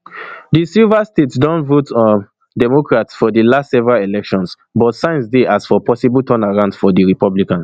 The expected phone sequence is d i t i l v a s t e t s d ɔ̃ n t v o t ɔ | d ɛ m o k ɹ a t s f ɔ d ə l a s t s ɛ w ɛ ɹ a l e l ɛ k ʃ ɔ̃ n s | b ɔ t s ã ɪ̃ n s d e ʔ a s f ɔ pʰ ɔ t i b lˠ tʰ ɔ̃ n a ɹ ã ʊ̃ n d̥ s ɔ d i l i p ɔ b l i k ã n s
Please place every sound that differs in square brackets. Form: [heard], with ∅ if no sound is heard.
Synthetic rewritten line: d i [s] i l v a s t e t s d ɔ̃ n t v o t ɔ | d ɛ m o k ɹ a t s f ɔ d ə l a s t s ɛ [v] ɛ ɹ a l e l ɛ k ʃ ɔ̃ n s | b ɔ t s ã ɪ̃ n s d e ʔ a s f ɔ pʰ ɔ [s] i b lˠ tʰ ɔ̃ n a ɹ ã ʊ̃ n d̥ [f] ɔ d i [ɹ] i p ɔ b l i k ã n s

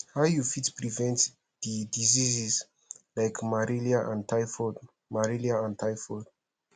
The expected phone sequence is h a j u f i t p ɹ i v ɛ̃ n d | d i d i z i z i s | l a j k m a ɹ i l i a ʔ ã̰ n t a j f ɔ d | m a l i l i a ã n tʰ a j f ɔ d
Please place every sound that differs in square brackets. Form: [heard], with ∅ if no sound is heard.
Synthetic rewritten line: h a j u f i t p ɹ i v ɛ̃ n [t] | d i d i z i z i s | l a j k m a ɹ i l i a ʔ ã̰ n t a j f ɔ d | m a [ɹ] i l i a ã n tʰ a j f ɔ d

